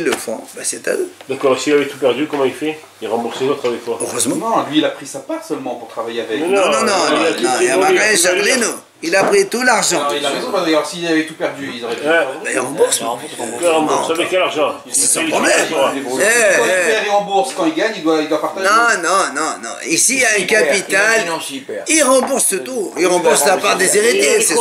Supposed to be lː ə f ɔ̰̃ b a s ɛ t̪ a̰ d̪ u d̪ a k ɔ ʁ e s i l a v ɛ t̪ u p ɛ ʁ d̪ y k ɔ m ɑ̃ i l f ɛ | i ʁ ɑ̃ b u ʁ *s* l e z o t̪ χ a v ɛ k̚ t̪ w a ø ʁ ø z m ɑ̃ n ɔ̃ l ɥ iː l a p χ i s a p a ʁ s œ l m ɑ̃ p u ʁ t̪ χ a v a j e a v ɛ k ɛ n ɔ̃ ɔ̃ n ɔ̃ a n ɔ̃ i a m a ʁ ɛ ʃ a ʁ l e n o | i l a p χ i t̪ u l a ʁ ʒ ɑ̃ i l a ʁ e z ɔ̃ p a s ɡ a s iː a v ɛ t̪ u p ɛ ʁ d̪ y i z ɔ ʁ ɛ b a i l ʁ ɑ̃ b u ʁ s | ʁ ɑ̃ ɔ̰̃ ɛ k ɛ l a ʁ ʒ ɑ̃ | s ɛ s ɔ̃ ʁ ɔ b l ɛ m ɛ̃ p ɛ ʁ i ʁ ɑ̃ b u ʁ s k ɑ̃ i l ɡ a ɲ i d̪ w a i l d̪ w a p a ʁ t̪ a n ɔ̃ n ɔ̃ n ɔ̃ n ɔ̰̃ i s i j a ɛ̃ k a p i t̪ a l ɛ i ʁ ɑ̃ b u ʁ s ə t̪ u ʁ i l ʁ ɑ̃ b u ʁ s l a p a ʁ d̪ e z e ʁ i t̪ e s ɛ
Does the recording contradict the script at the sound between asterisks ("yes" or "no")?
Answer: no